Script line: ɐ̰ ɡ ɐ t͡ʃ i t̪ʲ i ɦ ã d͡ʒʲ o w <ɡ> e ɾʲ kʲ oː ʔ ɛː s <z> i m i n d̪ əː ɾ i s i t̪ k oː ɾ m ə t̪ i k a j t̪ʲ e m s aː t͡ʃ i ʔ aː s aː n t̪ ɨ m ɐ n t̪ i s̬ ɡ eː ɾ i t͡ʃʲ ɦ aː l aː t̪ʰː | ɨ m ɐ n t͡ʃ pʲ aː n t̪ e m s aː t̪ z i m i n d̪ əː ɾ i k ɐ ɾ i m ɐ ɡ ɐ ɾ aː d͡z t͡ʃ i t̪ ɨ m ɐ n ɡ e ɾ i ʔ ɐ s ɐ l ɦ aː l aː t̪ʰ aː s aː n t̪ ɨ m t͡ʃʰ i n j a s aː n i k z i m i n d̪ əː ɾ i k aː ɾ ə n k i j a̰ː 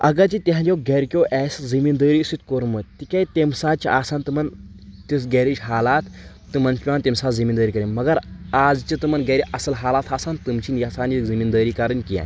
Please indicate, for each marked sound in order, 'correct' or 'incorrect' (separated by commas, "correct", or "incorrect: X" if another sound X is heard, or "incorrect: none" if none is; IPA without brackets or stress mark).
correct, correct